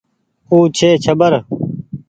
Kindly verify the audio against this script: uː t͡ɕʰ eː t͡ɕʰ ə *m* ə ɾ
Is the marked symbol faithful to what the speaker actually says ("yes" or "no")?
no